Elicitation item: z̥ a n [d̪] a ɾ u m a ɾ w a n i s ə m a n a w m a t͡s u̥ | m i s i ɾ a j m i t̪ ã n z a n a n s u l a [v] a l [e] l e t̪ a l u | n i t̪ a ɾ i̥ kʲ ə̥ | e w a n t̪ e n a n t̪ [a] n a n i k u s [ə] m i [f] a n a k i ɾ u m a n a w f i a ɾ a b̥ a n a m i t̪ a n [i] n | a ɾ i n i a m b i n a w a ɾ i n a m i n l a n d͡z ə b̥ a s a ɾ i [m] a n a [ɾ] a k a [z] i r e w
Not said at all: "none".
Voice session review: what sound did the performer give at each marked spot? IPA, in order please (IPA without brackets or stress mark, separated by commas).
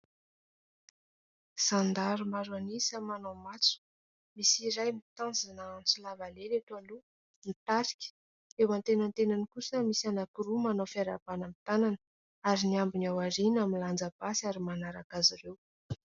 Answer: d̪, v, e, e, ə, s, a, m, ɾ, z